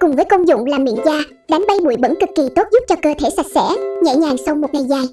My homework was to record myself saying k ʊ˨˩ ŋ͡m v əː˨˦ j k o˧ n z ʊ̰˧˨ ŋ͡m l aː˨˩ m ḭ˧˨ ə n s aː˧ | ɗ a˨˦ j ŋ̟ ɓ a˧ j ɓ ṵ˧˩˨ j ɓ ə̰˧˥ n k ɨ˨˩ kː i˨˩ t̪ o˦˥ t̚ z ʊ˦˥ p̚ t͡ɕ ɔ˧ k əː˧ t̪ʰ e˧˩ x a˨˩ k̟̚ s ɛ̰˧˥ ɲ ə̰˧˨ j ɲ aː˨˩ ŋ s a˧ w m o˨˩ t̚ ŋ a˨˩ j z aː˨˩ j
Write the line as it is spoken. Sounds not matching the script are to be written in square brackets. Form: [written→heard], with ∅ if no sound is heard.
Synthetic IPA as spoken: k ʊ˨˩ ŋ͡m v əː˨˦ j k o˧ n z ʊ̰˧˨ ŋ͡m l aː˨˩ m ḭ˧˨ ə n [s→z] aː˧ | ɗ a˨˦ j ŋ̟ ɓ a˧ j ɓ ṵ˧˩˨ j ɓ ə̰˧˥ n k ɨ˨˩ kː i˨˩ t̪ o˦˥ t̚ z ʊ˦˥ p̚ t͡ɕ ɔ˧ k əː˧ t̪ʰ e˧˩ [x→s] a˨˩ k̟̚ s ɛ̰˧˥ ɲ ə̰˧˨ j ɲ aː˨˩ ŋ s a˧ w m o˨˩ t̚ ŋ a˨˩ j z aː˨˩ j